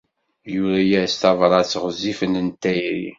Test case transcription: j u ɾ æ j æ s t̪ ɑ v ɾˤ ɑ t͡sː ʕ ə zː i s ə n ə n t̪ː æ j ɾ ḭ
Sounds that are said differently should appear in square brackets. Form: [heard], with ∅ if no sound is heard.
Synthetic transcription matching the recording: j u ɾ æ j æ s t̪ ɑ v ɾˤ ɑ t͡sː [ʁ] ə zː i [f] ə n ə n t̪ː æ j ɾ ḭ